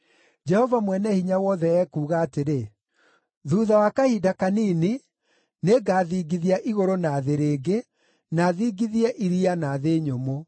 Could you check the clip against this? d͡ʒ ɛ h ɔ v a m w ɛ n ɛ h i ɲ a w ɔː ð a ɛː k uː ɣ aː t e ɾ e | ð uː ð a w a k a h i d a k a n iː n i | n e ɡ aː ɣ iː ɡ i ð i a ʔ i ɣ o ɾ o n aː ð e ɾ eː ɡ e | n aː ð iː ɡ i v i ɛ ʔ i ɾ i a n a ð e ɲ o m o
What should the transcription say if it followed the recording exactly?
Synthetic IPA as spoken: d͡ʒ ɛ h ɔ v a m w ɛ n ɛ h i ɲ a w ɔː ð ɛ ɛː k uː ɣ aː t e ɾ e | ð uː ð a w a k a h i d a k a n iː n i | n e ɡ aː ð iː ɡ i ð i a ʔ i ɣ o ɾ o n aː ð e ɾ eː ɡ e | n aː ð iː ɡ i ð i ɛ ʔ i ɾ i a n a ð e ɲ o m o